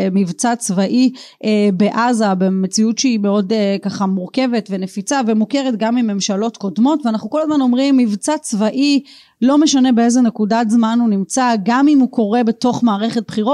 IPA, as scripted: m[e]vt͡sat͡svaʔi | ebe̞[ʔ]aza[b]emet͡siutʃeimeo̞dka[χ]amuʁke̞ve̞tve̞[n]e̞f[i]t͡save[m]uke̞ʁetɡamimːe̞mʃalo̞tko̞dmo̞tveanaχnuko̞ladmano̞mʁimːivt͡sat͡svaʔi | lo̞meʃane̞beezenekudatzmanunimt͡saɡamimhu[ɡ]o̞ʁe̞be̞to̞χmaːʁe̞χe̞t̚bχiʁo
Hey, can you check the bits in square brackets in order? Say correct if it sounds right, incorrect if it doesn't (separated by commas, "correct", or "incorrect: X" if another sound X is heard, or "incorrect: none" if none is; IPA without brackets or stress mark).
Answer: incorrect: i, correct, correct, correct, correct, correct, correct, incorrect: k